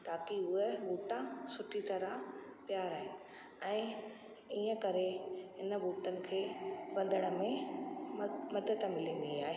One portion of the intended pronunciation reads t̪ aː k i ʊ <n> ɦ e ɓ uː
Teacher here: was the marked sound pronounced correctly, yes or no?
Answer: no